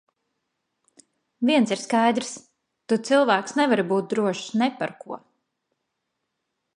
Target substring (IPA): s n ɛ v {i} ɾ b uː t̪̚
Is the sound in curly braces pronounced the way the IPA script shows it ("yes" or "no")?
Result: no